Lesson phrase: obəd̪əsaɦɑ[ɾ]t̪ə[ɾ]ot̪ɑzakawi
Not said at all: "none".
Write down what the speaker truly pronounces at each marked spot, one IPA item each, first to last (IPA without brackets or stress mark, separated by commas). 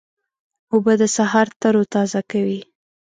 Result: ɾ, ɾ